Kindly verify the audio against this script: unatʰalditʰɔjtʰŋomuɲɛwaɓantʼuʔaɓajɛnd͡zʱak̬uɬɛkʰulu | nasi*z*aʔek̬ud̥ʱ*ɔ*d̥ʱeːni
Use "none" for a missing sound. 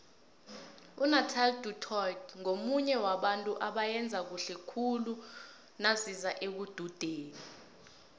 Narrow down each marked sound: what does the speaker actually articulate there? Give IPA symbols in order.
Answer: z, u

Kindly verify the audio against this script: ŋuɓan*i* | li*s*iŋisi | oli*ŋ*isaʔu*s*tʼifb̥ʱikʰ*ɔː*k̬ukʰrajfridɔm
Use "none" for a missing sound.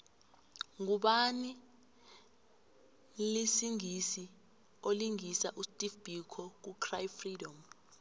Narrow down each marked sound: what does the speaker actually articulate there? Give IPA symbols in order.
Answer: i, s, ŋ, s, ɔ

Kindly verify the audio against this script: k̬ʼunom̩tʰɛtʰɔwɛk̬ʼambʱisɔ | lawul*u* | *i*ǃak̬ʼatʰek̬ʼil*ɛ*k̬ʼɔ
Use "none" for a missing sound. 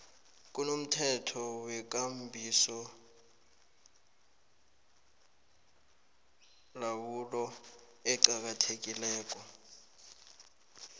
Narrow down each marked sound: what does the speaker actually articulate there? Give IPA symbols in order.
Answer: ɔ, ɛ, ɛː

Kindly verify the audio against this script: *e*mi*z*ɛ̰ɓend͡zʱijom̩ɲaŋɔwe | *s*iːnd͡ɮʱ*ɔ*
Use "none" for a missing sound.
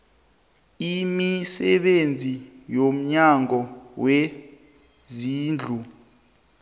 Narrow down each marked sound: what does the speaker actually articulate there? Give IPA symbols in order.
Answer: i, s, z, u

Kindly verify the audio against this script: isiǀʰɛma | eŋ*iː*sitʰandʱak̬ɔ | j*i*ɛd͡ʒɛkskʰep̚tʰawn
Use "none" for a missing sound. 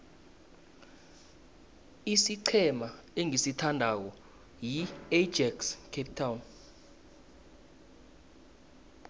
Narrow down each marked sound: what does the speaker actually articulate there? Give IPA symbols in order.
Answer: i, i

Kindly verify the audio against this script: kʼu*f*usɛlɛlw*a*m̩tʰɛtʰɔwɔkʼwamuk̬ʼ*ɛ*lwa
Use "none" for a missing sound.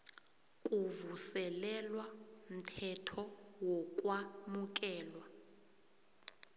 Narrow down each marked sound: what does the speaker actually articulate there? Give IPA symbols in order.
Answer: v, a, ɛː

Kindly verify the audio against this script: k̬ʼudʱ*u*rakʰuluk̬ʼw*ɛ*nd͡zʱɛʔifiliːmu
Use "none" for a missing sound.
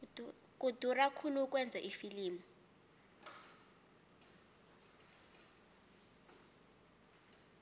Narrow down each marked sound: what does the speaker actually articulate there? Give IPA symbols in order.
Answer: u, ɛ

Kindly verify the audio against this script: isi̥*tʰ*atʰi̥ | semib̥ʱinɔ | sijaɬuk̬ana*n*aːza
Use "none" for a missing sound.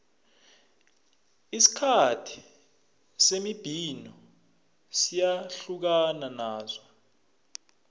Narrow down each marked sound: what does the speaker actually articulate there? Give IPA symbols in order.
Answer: kʰ, n

